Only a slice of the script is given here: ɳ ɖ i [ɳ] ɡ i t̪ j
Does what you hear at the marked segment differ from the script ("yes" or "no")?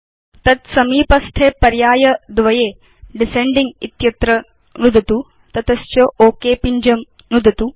yes